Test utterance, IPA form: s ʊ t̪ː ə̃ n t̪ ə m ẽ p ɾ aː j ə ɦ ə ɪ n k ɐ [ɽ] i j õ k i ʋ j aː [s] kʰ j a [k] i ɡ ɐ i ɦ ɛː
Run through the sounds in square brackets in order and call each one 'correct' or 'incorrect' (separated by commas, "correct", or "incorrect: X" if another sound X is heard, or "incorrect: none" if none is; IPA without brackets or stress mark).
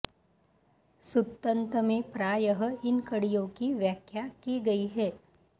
correct, incorrect: none, correct